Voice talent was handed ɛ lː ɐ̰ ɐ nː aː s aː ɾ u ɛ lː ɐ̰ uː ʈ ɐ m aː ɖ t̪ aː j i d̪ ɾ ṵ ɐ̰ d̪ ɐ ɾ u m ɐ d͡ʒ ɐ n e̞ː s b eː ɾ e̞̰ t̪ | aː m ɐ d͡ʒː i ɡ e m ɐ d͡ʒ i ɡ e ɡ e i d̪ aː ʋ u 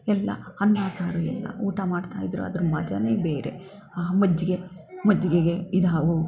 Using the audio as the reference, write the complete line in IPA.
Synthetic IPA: ɛ lː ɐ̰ ɐ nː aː s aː ɾ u ɛ lː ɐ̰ uː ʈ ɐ m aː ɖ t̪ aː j i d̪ ɾ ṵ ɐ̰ d̪ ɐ ɾ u m ɐ d͡ʒ ɐ n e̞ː b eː ɾ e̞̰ | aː m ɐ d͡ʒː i ɡ e m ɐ d͡ʒ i ɡ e ɡ e i d̪ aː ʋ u